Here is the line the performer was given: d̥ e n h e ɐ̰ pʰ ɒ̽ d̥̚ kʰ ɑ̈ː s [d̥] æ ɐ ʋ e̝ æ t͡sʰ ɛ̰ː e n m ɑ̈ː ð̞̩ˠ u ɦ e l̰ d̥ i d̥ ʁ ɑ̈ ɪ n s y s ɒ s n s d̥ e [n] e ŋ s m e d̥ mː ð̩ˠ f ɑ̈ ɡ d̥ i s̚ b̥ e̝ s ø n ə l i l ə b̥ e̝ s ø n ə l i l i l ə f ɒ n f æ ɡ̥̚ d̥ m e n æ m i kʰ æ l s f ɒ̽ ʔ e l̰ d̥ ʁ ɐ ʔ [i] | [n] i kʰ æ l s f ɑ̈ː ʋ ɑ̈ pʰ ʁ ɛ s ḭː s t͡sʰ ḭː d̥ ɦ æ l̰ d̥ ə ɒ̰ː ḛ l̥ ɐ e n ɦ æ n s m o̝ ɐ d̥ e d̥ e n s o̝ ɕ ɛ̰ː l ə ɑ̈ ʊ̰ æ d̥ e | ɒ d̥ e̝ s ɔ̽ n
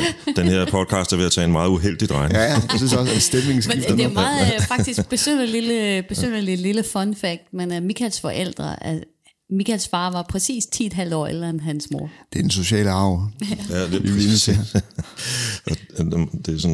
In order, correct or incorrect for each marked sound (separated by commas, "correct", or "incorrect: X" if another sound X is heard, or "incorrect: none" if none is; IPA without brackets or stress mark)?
correct, incorrect: m, incorrect: æ, incorrect: m